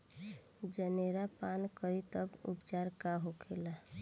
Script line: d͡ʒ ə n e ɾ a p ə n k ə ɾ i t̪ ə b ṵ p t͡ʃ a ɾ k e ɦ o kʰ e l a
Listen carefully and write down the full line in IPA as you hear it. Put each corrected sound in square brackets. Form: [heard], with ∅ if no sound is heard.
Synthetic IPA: d͡ʒ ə n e ɾ a p [a] n k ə ɾ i t̪ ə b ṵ p t͡ʃ a ɾ k [a] ɦ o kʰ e l a